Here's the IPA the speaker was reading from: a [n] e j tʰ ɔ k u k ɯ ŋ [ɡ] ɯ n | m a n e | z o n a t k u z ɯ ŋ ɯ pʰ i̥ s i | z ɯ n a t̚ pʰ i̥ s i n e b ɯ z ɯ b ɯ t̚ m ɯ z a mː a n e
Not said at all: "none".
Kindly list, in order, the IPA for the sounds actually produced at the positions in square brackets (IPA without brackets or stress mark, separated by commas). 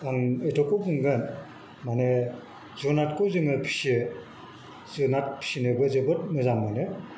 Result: ŋ, ɡ